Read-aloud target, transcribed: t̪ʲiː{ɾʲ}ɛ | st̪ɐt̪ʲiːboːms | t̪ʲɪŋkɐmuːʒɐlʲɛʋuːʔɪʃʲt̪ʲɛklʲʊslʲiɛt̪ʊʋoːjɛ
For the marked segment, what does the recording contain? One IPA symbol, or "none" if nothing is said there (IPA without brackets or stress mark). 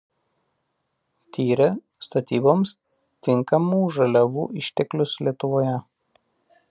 ɾʲ